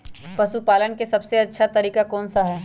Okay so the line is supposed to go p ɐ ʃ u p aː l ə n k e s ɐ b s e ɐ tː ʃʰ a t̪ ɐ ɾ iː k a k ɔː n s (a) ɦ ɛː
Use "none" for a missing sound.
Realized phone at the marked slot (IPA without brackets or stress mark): a